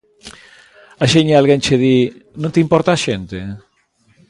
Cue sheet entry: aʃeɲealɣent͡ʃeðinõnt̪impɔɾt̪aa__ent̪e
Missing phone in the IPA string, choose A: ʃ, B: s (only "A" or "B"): A